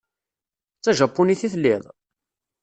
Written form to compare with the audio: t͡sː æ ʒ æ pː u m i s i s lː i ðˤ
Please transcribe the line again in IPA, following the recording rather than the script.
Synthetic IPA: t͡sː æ ʒ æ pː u n i θ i θ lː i ðˤ

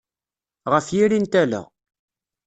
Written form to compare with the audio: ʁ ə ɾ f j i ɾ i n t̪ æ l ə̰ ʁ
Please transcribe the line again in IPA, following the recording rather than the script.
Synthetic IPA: ʁ ə f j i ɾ i n t̪ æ l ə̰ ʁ

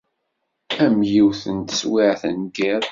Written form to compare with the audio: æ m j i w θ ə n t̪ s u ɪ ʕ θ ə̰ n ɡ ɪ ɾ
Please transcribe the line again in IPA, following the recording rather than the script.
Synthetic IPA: æ m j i w θ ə n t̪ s w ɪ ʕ θ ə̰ n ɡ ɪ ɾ

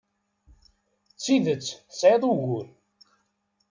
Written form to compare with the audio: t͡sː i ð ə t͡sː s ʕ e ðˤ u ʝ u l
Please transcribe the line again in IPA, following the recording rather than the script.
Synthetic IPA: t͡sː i ð ə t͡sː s ʕ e ðˤ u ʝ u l

